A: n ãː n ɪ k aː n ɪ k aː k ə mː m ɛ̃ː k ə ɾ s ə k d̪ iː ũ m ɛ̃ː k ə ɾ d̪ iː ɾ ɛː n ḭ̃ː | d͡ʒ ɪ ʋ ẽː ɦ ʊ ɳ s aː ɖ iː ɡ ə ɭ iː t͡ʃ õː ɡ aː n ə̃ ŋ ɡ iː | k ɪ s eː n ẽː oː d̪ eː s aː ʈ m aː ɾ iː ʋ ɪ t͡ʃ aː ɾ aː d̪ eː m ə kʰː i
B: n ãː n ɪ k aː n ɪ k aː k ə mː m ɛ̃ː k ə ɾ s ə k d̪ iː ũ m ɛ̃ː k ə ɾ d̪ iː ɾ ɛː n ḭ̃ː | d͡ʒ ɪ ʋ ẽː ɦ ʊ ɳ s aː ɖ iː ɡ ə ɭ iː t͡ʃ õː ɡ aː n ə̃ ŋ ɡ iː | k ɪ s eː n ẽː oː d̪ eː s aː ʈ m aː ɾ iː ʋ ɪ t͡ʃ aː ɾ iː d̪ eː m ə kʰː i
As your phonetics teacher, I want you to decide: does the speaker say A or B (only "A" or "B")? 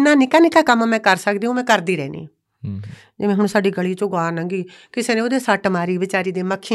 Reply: B